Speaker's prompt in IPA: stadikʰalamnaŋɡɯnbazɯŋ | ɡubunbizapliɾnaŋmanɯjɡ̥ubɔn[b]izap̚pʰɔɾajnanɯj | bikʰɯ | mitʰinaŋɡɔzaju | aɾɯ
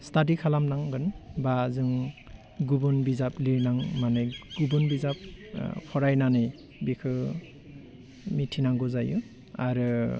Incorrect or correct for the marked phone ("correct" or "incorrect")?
correct